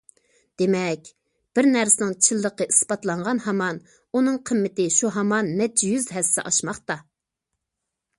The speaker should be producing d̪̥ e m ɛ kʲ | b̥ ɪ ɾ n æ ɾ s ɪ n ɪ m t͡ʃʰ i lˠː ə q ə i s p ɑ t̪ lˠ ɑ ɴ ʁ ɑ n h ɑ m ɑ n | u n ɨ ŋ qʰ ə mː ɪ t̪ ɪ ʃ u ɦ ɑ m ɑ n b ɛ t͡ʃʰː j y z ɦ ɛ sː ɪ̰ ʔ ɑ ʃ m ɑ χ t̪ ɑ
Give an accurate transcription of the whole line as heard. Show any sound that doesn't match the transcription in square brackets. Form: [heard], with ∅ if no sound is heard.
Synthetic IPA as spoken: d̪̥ e m ɛ kʲ | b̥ ɪ ɾ n æ ɾ s ɪ n ɪ [ŋ] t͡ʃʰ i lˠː ə q ə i s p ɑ t̪ lˠ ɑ ɴ ʁ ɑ n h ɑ m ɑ n | u n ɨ ŋ qʰ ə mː ɪ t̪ ɪ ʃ u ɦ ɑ m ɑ n [m] ɛ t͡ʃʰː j y z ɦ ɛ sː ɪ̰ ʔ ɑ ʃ m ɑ χ t̪ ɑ

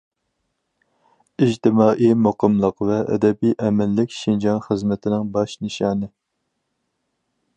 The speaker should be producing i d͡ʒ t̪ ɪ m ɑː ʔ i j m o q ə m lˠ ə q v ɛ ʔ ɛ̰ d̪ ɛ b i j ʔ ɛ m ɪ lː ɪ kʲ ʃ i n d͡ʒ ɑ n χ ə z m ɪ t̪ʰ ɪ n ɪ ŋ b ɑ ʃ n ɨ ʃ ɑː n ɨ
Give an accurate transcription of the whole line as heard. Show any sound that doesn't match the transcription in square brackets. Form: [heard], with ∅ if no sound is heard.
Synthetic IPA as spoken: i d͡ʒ t̪ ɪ m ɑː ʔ i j m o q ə m lˠ ə q v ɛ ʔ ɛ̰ d̪ ɛ b i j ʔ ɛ m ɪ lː ɪ kʲ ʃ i n d͡ʒ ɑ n χ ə z m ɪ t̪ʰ ɪ n ɪ ŋ b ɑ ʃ n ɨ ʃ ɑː n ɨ

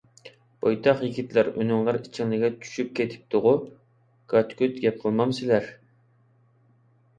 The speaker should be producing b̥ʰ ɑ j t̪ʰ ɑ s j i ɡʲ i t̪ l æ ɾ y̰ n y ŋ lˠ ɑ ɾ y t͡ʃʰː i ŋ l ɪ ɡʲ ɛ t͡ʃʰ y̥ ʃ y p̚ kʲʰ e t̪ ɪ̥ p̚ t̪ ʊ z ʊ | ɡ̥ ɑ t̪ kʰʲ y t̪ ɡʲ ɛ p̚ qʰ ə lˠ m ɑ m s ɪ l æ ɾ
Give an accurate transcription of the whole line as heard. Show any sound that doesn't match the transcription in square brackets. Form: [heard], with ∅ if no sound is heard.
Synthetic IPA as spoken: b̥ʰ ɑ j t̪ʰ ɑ [χ] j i ɡʲ i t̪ l æ ɾ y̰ n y ŋ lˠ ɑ ɾ [i] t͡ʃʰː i ŋ l ɪ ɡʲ ɛ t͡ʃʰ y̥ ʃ y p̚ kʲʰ e [t̪ʰ] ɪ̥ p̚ t̪ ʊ [ʁ] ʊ | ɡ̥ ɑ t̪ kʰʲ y t̪ ɡʲ ɛ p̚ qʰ ə lˠ m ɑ m s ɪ l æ ɾ

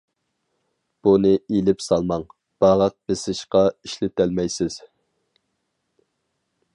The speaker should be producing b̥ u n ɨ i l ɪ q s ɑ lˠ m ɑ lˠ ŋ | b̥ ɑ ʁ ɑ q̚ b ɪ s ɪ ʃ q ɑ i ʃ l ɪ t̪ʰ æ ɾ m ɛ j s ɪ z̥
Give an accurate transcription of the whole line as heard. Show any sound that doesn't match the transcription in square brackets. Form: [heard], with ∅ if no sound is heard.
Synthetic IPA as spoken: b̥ u n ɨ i l ɪ [p] s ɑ lˠ m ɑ [∅] ŋ | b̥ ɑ ʁ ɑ q̚ b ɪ s ɪ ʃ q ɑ i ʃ l ɪ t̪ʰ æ [l] m ɛ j s ɪ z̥

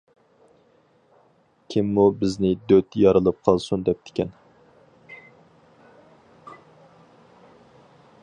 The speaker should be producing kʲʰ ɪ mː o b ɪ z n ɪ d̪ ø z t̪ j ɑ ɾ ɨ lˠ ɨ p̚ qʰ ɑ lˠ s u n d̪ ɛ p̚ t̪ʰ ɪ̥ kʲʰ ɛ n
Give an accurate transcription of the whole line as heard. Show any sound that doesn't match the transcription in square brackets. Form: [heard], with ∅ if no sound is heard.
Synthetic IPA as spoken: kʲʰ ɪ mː [u] b ɪ z n ɪ d̪ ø [∅] t̪ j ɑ ɾ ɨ lˠ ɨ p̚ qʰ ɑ lˠ s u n d̪ ɛ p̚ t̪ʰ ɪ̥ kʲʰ ɛ n

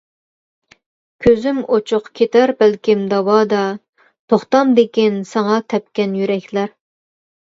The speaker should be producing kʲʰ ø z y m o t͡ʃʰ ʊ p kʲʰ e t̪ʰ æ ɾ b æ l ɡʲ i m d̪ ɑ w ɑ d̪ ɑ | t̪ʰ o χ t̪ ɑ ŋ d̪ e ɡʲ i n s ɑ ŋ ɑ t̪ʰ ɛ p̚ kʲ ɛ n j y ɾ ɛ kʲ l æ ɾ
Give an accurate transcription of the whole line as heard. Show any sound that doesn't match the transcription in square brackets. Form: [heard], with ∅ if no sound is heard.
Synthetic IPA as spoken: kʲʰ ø z y m o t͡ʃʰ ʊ [q] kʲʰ e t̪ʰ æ ɾ b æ l [kʲ] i m d̪ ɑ w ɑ d̪ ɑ | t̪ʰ o χ t̪ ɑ [m] d̪ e [kʲ] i n s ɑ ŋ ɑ t̪ʰ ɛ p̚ kʲ ɛ n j y ɾ ɛ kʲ l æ ɾ

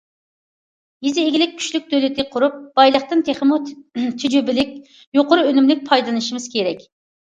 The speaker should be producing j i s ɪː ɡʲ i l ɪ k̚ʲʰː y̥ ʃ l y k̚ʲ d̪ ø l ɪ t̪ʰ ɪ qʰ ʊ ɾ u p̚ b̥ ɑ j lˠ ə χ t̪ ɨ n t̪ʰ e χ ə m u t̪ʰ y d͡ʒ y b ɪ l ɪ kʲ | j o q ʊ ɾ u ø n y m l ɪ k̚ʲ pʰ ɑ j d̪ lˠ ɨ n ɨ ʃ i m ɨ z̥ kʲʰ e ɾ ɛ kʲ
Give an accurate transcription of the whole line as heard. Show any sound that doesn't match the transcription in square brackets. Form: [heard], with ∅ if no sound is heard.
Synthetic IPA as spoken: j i [z] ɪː ɡʲ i l ɪ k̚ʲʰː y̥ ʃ l y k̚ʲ d̪ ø l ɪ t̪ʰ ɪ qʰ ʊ ɾ u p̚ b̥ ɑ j lˠ ə χ t̪ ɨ n t̪ʰ e χ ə m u t̪ʰ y d͡ʒ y b ɪ l ɪ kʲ | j o q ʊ ɾ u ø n y m l ɪ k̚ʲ pʰ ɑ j d̪ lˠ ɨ n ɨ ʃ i m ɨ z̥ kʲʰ e ɾ ɛ kʲ

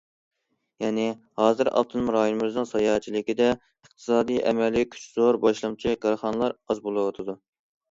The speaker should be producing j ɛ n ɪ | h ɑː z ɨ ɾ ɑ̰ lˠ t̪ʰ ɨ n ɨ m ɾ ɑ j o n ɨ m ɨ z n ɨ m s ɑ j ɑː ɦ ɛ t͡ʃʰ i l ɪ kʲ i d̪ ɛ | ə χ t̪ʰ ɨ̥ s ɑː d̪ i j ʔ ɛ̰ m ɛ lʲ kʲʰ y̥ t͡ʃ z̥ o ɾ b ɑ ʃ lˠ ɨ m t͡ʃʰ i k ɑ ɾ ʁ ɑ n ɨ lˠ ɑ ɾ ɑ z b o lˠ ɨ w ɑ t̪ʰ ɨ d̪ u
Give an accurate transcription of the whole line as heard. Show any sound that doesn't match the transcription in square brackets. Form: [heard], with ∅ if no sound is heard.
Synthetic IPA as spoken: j ɛ n ɪ | h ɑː z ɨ ɾ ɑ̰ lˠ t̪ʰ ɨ n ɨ m ɾ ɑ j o n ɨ m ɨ z n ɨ [ŋ] s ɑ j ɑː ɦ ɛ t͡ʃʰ i l ɪ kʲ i d̪ ɛ | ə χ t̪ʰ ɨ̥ s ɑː d̪ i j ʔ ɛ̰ m ɛ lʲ kʲʰ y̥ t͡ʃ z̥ o ɾ b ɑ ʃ lˠ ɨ m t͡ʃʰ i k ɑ ɾ [χ] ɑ n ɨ lˠ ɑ ɾ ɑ z b o lˠ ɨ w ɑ t̪ʰ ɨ d̪ u

